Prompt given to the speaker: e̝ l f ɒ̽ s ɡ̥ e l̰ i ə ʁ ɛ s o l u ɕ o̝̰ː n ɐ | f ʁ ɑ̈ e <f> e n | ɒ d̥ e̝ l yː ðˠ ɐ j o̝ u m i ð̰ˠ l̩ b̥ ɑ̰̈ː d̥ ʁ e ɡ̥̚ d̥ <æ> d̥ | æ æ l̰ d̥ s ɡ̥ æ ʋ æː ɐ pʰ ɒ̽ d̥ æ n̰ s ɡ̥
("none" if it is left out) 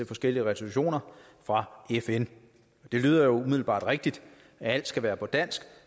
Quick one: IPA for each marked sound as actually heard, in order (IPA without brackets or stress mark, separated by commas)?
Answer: f, i